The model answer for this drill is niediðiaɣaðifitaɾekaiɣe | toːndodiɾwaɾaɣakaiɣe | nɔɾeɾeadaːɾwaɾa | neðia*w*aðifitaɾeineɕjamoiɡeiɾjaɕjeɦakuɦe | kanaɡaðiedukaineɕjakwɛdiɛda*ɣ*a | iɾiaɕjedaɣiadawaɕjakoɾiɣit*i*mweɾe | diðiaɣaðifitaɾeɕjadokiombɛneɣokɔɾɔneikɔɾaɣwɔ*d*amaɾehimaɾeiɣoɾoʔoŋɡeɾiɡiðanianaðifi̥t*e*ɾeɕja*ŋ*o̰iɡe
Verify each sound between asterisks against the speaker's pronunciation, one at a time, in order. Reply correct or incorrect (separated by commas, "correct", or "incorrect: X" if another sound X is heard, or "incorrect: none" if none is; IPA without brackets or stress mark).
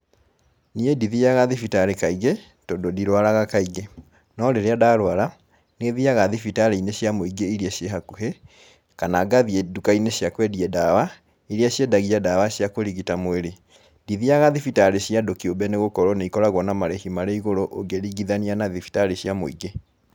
incorrect: ɣ, incorrect: w, incorrect: a, incorrect: n, incorrect: a, incorrect: m